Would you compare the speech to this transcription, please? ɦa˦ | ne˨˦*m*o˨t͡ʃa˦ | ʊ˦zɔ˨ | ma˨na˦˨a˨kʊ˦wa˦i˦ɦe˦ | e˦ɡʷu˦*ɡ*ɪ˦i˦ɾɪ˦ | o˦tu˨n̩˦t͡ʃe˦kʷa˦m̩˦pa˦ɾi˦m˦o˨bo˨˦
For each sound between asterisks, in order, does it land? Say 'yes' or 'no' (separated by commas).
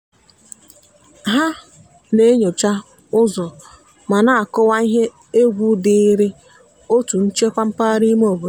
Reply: no, no